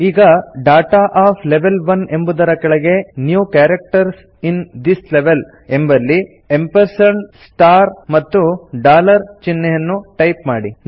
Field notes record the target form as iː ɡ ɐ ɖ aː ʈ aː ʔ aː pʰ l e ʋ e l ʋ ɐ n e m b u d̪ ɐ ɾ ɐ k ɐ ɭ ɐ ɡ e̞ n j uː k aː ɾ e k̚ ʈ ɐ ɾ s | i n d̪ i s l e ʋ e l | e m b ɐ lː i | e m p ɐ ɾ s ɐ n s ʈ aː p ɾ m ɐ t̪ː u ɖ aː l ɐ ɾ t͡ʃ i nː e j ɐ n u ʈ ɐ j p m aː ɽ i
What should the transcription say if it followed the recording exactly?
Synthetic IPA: iː ɡ ɐ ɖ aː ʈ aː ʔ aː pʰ l e ʋ e l ʋ ɐ n e m b u d̪ ɐ ɾ ɐ k ɐ ɭ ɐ ɡ e̞ n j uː k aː ɾ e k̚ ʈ ɐ ɾ s | i n d̪ i s l e ʋ e l | e m b ɐ lː i | e m p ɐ ɾ s ɐ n s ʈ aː ɾ m ɐ t̪ː u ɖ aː l ɐ ɾ t͡ʃ i nː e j ɐ nː u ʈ ɐ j p m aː ɽ i